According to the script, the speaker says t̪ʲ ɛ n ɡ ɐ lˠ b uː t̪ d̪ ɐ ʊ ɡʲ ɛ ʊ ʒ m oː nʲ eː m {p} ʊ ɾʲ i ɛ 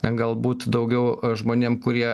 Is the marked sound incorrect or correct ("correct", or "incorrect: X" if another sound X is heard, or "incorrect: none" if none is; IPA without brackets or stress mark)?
incorrect: k